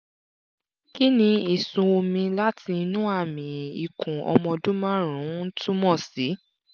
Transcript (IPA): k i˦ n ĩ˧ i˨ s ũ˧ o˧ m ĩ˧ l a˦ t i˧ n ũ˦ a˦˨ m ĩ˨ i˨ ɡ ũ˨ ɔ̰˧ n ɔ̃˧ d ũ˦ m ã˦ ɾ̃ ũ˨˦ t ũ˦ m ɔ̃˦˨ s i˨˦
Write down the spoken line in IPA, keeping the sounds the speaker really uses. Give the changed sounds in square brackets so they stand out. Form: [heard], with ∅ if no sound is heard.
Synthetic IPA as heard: k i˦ n ĩ˧ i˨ s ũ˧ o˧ m ĩ˧ l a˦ t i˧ n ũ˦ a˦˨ m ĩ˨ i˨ [k] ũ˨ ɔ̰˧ [m] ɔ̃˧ d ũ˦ m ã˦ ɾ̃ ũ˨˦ t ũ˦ m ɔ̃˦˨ s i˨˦